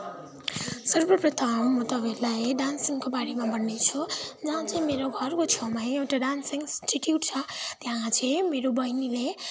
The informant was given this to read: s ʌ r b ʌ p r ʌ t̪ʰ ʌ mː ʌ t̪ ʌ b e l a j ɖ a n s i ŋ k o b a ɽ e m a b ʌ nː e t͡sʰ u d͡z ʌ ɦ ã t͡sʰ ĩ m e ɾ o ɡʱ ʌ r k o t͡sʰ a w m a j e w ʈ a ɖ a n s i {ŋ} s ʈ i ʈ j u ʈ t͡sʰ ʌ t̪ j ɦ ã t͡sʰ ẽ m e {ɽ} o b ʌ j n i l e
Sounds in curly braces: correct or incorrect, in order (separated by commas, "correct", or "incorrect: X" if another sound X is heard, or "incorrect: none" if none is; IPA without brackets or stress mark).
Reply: correct, incorrect: ɾ